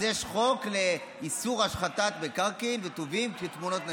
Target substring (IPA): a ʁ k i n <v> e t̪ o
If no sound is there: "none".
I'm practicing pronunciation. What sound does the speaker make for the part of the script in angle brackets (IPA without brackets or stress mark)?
v